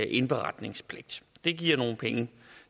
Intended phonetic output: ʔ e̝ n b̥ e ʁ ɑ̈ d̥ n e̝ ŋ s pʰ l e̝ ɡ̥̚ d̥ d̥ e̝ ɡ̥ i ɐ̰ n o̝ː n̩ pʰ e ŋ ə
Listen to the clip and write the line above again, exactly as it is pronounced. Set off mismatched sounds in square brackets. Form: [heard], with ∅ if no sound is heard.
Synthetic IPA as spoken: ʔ e̝ n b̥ e ʁ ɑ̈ d̥ n e̝ ŋ s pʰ l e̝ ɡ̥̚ d̥ d̥ e̝ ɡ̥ i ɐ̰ n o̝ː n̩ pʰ e ŋ ə